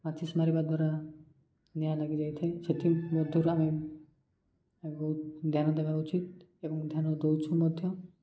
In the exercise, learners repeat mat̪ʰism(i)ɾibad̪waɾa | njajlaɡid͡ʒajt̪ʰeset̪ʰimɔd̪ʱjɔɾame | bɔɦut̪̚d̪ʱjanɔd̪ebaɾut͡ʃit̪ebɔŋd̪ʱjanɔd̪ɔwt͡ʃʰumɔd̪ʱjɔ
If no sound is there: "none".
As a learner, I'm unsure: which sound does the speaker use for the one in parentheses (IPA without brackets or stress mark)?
a